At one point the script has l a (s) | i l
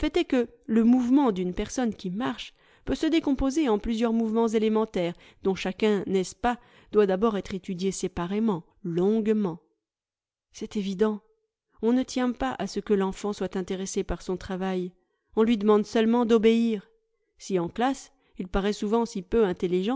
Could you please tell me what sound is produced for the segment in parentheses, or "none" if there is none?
s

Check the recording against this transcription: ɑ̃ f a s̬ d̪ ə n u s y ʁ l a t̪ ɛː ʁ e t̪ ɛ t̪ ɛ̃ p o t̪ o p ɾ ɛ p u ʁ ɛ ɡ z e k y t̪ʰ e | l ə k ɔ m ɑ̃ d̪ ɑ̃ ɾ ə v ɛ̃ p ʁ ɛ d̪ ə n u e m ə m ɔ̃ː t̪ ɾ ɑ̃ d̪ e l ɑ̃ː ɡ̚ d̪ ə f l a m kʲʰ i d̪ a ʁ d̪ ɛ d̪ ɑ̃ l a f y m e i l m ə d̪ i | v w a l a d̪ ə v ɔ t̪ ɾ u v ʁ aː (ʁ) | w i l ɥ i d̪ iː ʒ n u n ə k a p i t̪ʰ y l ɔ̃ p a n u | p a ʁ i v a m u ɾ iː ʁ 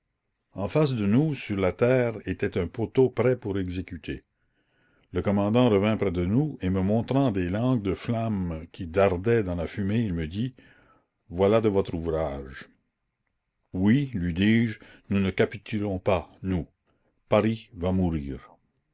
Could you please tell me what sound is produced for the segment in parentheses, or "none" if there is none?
ʒ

